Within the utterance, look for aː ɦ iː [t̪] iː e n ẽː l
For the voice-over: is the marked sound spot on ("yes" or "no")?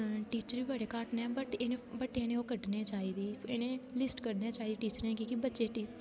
no